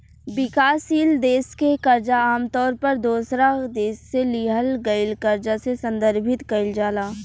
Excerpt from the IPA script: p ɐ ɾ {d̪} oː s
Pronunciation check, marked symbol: correct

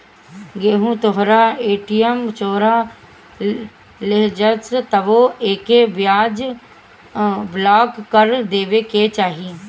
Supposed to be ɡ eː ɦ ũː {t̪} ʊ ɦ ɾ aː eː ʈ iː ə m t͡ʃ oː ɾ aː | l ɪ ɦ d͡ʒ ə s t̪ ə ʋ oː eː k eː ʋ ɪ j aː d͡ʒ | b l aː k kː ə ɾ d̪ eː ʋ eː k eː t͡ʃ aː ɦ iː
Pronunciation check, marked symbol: correct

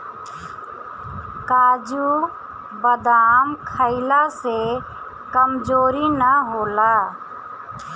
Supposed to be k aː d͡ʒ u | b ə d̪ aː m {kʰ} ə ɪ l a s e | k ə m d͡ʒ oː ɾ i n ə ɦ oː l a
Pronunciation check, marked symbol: correct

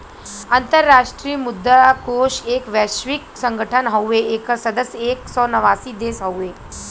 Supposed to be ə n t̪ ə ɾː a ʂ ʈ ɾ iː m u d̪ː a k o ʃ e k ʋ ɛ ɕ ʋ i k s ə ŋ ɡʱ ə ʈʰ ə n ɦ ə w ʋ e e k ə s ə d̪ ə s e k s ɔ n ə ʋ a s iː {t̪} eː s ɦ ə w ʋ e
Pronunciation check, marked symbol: incorrect: d̪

